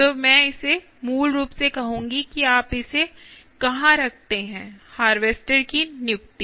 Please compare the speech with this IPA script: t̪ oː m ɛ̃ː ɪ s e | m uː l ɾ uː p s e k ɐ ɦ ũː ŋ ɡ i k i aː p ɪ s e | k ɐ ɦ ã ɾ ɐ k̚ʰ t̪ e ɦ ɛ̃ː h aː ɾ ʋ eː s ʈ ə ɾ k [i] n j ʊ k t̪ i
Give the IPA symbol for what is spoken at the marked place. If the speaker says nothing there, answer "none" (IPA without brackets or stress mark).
i